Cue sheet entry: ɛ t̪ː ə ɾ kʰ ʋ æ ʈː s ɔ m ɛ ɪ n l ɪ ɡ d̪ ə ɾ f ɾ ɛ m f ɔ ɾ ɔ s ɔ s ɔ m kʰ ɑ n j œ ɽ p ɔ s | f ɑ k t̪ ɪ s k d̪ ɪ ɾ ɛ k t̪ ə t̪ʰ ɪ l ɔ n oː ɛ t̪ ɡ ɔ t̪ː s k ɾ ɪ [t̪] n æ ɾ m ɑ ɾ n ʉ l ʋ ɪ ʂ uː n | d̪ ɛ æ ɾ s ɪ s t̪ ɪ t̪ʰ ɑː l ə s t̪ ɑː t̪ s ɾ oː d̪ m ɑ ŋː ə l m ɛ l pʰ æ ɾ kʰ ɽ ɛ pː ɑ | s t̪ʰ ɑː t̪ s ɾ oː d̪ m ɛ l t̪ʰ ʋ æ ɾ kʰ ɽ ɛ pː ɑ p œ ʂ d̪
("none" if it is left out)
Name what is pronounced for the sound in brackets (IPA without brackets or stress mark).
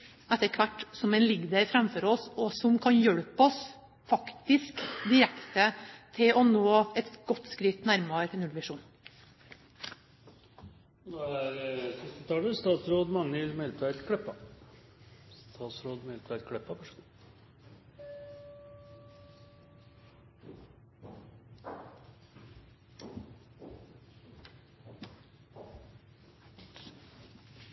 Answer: t̪